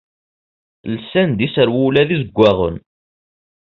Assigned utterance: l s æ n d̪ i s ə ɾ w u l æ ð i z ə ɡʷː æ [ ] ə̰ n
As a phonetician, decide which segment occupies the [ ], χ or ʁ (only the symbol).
ʁ